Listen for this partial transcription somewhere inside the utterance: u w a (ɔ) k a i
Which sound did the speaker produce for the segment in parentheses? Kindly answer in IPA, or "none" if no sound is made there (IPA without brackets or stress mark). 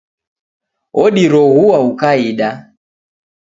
u